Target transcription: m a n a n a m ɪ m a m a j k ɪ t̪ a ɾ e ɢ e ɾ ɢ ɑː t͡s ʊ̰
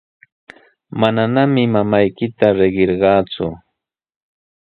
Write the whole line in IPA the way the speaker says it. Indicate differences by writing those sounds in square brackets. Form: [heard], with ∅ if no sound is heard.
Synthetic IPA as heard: m a n a n a m ɪ m a m a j k ɪ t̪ a ɾ e ɢ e ɾ ɢ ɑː t͡s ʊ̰